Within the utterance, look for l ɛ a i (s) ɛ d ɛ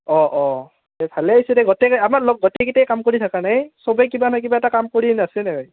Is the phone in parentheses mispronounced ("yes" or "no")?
no